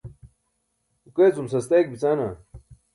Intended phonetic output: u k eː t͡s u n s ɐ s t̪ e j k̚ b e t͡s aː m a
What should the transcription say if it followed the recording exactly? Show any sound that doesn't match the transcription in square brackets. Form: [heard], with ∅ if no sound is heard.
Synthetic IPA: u k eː t͡s u [m] s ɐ s t̪ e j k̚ b [i] t͡s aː [n] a